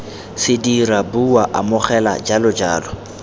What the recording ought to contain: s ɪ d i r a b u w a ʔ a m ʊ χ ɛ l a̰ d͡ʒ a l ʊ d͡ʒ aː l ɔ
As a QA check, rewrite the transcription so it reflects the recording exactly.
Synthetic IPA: s ɪ d i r a b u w a ʔ a m ʊ χ ɛ l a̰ d͡ʒ a l ʊ d͡ʒ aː l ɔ

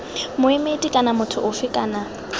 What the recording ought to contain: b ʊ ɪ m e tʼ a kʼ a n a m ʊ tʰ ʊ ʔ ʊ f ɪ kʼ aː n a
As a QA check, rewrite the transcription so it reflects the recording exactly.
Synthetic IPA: m ʊ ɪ m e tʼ i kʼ a n a m ʊ tʰ ʊ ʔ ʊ f ɪ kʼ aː n a

